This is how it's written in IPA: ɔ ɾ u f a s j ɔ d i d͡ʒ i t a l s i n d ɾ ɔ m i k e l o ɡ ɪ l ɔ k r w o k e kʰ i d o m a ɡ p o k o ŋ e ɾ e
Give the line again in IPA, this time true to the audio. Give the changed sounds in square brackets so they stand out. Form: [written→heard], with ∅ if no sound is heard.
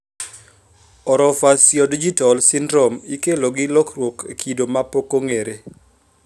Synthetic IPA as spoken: ɔ ɾ [u→ɔ] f a s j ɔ d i d͡ʒ i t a l s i n d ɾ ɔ m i k e l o ɡ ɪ l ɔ k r w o k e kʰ i d o m a [ɡ→∅] p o k o ŋ e ɾ e